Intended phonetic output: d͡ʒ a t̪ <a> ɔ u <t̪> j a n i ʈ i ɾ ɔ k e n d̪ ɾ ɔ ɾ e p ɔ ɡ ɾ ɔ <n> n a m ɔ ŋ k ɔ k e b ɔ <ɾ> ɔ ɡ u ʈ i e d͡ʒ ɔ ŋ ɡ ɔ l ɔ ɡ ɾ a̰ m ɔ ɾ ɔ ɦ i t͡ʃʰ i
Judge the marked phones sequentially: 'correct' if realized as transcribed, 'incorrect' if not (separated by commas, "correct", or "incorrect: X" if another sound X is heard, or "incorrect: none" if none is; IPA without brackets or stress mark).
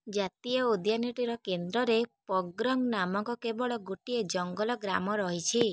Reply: incorrect: i, incorrect: d̪, incorrect: ŋ, incorrect: ɭ